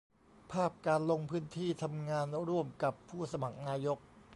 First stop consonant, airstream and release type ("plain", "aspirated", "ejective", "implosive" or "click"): aspirated